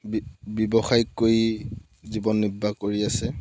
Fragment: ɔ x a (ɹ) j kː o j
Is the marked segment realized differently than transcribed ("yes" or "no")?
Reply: yes